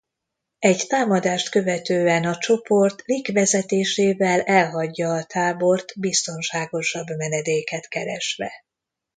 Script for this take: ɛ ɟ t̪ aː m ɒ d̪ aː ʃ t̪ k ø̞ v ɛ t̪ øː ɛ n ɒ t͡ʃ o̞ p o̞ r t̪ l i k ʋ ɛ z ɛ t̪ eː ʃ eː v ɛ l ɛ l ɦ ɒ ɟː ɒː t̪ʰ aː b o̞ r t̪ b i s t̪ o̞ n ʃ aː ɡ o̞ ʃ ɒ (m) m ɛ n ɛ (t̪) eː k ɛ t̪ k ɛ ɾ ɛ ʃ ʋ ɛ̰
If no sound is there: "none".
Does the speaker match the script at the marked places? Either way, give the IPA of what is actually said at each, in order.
b, d̪

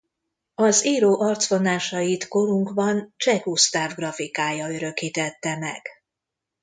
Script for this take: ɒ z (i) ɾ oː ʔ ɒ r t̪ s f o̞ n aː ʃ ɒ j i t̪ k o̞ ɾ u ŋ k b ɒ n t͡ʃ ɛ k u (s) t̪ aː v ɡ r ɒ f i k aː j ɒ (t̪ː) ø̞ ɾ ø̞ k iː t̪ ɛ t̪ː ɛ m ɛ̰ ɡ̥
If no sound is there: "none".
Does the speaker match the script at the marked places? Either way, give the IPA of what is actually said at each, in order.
iː, s, none

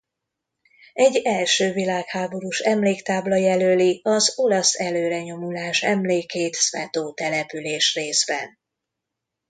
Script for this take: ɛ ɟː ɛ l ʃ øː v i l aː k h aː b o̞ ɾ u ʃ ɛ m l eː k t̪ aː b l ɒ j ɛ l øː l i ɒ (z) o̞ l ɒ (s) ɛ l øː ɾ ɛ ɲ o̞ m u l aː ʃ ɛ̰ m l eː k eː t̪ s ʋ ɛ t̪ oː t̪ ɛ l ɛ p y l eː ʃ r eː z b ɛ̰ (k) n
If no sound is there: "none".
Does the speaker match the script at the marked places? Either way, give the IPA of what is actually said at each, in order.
z, s, none

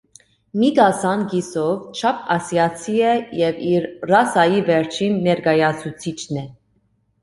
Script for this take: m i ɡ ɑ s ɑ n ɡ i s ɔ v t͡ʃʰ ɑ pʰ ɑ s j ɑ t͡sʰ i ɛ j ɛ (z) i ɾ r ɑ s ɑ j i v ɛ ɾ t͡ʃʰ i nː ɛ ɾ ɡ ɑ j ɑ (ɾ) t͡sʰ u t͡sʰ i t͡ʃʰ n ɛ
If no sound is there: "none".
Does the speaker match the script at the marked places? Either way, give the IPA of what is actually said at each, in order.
v, none

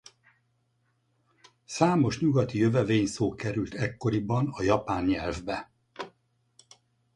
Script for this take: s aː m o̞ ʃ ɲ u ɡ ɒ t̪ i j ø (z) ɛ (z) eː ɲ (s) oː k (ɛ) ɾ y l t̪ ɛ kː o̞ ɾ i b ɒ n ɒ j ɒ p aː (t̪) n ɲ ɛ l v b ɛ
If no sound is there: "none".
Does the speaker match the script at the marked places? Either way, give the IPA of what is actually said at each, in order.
v, v, s, ɛ, none

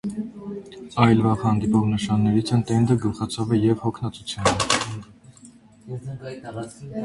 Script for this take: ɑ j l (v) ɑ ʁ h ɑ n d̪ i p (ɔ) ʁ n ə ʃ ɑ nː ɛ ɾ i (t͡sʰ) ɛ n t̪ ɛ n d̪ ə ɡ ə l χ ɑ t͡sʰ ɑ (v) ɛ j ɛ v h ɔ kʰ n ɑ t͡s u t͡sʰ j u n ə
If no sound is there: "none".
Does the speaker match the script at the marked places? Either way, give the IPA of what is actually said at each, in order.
v, ɔ, t͡sʰ, v

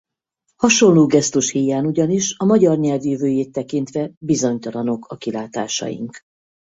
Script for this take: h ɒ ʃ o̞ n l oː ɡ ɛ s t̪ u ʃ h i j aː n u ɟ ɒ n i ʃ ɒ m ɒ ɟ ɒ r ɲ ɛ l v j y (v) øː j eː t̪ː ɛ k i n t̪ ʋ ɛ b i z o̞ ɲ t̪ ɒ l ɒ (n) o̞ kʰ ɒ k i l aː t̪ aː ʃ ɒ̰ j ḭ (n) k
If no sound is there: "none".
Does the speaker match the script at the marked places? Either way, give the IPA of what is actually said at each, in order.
v, n, ŋ

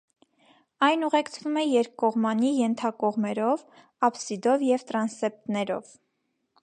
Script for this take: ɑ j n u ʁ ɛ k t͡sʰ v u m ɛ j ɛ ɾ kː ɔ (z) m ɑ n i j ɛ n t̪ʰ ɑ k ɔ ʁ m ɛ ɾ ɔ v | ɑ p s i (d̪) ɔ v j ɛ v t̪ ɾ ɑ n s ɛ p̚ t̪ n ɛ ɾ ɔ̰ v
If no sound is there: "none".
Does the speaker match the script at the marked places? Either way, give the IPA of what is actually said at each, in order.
ʁ, d̪

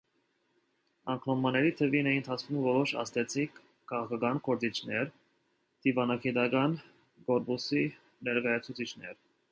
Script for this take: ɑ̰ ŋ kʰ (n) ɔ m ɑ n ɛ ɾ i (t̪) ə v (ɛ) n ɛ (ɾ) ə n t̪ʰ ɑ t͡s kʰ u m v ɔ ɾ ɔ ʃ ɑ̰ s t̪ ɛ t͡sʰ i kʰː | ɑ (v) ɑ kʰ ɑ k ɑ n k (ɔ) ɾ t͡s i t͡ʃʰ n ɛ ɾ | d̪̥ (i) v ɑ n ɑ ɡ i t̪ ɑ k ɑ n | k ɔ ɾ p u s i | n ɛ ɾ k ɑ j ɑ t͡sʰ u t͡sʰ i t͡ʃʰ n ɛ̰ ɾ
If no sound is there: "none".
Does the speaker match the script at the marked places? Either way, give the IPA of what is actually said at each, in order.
n, t̪ʰ, i, none, ʁ, ɔ, i

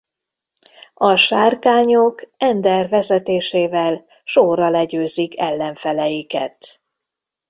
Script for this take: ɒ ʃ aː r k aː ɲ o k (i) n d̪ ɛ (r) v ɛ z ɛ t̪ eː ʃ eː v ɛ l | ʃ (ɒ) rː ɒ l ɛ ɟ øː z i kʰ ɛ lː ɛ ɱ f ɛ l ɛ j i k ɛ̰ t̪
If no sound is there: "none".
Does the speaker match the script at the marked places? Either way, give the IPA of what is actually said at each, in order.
ɛ, r, o

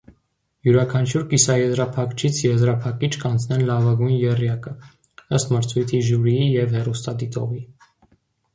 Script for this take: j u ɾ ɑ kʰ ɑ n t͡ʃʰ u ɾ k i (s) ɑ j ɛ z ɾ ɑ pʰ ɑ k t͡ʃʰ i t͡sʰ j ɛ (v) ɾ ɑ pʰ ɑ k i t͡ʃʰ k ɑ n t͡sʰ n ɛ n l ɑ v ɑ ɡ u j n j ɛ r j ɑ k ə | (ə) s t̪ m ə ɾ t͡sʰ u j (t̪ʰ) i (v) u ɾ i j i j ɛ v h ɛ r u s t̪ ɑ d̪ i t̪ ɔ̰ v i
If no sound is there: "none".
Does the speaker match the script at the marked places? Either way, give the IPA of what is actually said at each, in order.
s, z, ə, t̪ʰ, ʒ

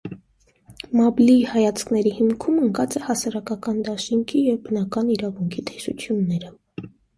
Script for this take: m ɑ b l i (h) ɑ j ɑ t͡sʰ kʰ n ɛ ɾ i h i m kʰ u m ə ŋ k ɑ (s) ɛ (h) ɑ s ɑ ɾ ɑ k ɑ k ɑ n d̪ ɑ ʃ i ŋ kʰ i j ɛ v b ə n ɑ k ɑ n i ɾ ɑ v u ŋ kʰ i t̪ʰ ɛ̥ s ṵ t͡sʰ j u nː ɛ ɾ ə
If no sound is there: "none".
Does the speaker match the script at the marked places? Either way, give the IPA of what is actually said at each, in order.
h, t͡s, h

